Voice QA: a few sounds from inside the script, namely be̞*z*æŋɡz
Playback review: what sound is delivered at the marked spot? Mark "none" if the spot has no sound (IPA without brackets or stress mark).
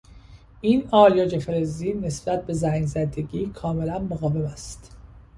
z